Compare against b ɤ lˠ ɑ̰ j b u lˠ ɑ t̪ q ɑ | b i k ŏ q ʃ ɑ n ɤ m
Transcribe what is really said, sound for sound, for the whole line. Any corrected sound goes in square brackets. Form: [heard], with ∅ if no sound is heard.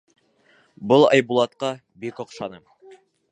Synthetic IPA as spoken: b ɤ lˠ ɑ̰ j b u lˠ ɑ t̪ q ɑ | b i k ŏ q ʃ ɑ n ɤ m